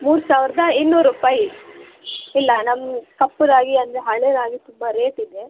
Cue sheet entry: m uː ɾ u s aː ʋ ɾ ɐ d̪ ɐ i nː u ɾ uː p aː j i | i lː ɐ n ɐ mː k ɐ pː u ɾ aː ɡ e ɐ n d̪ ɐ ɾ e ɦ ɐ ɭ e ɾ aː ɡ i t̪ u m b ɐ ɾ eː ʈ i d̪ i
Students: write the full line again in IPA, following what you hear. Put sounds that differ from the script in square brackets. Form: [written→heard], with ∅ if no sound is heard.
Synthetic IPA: m uː ɾ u s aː ʋ ɾ ɐ d̪ ɐ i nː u ɾ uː p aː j i | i lː ɐ n ɐ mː k ɐ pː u ɾ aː ɡ [e→i] ɐ n d̪ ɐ ɾ e ɦ ɐ ɭ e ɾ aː ɡ i t̪ u m b ɐ ɾ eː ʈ i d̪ [i→e]

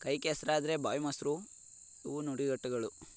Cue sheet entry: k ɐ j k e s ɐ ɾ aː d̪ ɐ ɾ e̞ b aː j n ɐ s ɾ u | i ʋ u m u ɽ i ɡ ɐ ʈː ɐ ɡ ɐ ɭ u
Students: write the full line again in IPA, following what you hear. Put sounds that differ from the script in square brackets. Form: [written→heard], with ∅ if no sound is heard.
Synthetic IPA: k ɐ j k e s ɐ ɾ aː d̪ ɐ ɾ e̞ b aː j [n→m] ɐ s ɾ u | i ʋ u [m→n] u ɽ i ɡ ɐ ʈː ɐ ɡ ɐ ɭ u

